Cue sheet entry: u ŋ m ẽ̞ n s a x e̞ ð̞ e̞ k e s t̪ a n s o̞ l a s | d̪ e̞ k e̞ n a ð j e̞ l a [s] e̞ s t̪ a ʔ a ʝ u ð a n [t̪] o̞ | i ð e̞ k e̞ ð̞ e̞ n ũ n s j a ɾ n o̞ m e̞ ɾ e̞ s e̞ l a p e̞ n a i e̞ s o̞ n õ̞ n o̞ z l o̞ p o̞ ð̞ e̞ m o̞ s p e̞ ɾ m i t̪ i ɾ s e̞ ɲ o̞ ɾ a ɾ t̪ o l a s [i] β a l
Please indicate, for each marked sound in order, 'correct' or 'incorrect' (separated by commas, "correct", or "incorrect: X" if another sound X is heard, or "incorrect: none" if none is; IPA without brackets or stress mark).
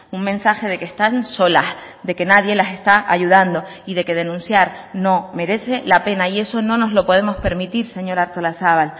correct, incorrect: d̪, incorrect: a